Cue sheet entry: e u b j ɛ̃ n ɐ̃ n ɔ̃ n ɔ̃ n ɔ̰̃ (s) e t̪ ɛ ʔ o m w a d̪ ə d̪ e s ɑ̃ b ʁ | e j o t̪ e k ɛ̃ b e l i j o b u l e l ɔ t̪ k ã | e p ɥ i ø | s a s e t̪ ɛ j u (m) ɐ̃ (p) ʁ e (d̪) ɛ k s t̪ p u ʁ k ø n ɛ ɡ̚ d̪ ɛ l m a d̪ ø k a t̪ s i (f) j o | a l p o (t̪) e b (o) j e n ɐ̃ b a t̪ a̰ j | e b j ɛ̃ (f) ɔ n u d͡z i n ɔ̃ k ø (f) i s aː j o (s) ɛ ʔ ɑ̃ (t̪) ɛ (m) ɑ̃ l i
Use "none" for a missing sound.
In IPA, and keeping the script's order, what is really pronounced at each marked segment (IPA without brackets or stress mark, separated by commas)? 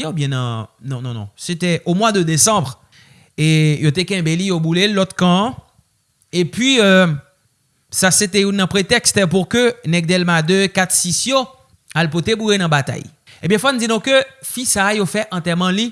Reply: s, n, p, t̪, s, t̪, u, f, f, f, t̪, m